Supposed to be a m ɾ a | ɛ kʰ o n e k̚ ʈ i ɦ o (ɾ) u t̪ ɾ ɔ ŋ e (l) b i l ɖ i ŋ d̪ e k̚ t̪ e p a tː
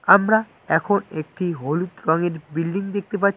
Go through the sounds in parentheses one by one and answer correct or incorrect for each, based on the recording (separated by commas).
incorrect, incorrect